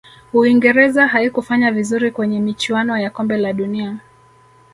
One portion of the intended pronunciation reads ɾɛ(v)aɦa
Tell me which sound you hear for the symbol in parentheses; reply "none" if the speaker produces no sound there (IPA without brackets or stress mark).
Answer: z